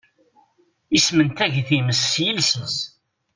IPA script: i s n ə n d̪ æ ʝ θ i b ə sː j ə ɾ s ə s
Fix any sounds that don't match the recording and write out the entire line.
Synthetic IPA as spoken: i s m ə n t̪ æ ʝ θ i m ə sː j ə l s ə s